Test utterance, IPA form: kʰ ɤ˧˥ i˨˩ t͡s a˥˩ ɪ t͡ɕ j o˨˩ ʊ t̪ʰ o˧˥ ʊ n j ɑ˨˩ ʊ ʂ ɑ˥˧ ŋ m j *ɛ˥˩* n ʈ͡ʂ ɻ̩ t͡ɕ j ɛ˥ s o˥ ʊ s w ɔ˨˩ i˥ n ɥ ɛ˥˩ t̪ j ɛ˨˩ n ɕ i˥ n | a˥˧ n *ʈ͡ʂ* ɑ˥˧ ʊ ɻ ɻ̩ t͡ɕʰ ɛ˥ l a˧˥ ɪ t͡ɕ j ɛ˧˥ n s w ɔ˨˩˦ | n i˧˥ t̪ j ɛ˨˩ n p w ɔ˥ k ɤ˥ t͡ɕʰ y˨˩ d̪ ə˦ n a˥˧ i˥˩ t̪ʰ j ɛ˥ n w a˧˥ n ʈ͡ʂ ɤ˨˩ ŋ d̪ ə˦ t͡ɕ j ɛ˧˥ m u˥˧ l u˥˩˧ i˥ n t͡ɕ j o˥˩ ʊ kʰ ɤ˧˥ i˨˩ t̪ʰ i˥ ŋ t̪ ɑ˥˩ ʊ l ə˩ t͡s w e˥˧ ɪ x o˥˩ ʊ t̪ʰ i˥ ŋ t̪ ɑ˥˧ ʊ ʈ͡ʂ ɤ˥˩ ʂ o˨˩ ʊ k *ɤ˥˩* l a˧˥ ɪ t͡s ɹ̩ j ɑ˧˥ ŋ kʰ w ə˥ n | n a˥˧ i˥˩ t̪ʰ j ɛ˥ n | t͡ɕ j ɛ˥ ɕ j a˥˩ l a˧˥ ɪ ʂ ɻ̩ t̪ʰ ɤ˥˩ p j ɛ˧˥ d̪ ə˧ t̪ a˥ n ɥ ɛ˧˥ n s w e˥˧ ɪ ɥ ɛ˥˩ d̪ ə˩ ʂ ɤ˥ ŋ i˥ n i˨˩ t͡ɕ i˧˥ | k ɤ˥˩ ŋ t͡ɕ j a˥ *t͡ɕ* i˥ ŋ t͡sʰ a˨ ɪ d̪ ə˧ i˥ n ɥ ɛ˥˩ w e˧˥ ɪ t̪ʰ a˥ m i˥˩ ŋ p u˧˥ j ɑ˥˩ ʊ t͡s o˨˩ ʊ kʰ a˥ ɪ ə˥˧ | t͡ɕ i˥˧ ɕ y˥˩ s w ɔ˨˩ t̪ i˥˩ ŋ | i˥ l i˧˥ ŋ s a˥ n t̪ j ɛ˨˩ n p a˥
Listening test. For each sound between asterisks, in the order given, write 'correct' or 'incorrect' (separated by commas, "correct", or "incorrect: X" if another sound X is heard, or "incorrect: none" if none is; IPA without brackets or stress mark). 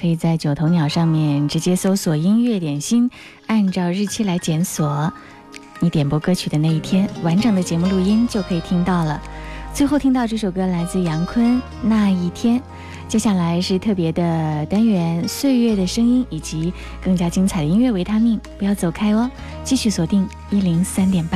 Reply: correct, correct, incorrect: ɤ˥, correct